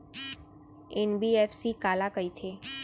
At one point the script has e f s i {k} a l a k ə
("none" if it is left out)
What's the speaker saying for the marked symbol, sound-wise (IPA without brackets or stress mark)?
k